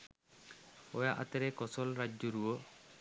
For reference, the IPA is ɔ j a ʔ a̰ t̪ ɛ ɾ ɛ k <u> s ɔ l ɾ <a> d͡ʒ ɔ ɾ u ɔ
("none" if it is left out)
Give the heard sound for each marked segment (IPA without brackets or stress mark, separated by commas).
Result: ɔ, a